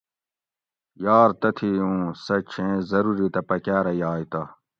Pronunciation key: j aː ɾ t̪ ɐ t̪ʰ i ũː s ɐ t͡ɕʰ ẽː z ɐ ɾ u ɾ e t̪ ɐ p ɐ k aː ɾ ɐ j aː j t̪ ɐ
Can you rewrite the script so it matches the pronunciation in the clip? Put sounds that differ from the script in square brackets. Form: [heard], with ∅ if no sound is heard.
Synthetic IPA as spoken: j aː ɾ t̪ ɐ t̪ʰ i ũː s ɐ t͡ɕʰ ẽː z ɐ ɾ u ɾ [i] t̪ ɐ p ɐ k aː ɾ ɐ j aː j t̪ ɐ